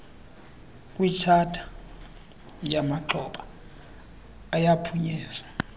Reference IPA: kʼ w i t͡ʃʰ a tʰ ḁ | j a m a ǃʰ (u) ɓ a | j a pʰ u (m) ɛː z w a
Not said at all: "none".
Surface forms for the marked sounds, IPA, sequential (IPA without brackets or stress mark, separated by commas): ɔ, ɲ